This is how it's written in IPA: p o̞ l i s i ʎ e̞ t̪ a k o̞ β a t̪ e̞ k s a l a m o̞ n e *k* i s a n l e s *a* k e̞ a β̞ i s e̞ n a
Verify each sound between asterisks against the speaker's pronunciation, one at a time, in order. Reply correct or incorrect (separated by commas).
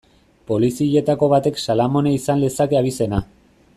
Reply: incorrect, correct